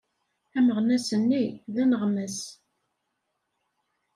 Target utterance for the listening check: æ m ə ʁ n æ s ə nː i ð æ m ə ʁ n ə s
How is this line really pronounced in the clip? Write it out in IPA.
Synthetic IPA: æ m ə ʁ n æ s ə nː i ð æ n ə ʁ m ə s